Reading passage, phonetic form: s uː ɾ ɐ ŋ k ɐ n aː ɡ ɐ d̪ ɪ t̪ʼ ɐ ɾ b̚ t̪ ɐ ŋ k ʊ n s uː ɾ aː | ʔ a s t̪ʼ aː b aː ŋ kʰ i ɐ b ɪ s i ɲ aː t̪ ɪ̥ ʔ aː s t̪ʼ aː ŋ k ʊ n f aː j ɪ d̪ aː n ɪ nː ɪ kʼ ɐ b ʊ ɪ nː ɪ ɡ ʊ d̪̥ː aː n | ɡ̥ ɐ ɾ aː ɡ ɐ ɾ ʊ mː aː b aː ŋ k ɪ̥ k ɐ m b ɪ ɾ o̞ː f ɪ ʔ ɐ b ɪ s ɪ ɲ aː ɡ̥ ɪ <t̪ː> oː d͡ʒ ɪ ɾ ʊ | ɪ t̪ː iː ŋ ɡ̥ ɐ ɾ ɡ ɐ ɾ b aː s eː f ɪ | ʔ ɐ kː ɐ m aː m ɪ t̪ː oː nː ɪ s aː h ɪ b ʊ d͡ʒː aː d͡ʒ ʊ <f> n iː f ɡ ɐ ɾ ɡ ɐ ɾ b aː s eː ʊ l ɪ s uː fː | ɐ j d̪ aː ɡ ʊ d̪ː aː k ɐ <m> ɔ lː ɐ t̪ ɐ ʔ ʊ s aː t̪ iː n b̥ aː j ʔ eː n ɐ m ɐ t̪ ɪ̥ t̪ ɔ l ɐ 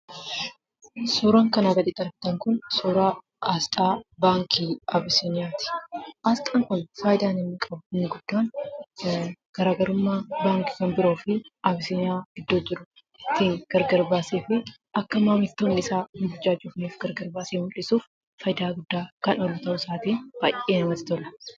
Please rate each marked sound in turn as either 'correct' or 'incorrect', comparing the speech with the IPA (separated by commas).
incorrect, correct, incorrect